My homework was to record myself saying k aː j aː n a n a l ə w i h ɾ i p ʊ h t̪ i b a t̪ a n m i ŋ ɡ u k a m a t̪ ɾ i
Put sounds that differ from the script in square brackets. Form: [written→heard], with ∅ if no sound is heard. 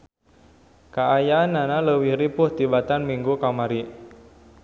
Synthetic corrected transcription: k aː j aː n a n a l ə w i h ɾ i p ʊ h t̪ i b a t̪ a n m i ŋ ɡ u k a m a [t̪→∅] ɾ i